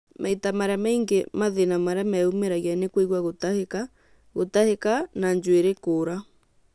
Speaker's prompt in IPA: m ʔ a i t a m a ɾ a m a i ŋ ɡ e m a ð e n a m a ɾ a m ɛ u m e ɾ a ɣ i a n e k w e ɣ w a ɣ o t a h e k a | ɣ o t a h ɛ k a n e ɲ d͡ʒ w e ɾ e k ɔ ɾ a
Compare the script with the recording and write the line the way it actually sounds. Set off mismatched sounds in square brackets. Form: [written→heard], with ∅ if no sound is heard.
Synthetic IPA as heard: m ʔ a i t a m a ɾ a m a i ŋ ɡ e m a ð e n a m a ɾ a m ɛ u m e ɾ a ɣ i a n e k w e ɣ w a ɣ o t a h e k a | ɣ o t a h [ɛ→e] k a n [e→a] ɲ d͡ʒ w e ɾ e k [ɔ→o] ɾ a